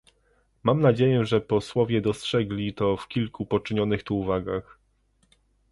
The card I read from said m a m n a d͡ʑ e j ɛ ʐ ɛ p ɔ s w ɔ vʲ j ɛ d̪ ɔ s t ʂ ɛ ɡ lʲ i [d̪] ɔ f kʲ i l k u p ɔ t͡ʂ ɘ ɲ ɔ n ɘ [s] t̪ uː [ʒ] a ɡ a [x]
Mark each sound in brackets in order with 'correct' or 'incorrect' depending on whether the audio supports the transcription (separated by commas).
incorrect, incorrect, incorrect, correct